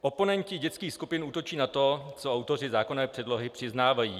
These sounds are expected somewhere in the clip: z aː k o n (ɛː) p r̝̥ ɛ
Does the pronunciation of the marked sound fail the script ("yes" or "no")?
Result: no